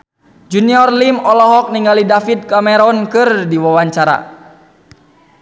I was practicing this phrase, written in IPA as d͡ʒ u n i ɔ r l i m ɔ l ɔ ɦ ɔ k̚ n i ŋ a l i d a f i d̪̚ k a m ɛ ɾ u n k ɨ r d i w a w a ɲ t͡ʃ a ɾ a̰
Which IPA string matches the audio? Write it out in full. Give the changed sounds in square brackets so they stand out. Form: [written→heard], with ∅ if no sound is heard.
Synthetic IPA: d͡ʒ u n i ɔ r l i m ɔ l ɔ ɦ ɔ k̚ n i ŋ a l i d a f i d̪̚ k a m ɛ ɾ [u→ɔ] n k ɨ r d i w a w a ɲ t͡ʃ a ɾ a̰

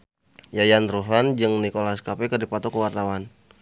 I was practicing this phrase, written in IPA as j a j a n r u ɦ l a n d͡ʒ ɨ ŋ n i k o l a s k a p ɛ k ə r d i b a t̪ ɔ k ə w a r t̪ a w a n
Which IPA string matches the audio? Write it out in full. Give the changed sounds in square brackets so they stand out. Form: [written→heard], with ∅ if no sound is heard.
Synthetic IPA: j a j a n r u ɦ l a n d͡ʒ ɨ ŋ n i k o l a s k a p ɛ k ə r d i [b→p] a t̪ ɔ k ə w a r t̪ a w a n

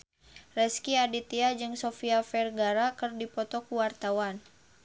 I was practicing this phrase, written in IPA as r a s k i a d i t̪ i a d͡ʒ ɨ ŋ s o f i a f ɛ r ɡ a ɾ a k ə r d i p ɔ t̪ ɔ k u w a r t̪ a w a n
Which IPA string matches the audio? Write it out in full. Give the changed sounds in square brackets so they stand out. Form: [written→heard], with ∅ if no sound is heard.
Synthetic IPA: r [a→ɛ] s k i a d i t̪ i a d͡ʒ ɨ ŋ s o f i a f ɛ r ɡ a ɾ a k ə r d i p ɔ t̪ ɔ k u w a r t̪ a w a n

